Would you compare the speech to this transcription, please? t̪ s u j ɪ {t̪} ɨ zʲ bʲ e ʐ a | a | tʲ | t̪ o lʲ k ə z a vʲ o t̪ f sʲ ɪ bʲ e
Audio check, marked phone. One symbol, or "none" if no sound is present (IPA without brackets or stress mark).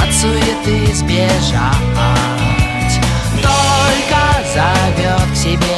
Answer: t̪